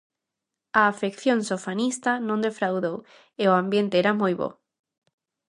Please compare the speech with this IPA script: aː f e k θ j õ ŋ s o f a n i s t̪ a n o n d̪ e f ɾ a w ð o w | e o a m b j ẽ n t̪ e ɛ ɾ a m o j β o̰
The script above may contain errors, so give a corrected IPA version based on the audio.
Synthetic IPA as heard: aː f e k θ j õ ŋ s o f a n i s t̪ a n õ n d̪ e f ɾ a w ð o w | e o a m b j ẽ n t̪ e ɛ ɾ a m o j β o̰